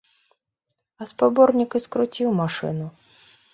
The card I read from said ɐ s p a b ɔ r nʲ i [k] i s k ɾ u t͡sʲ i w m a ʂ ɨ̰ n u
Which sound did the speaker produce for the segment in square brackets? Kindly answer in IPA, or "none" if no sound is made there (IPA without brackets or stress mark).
k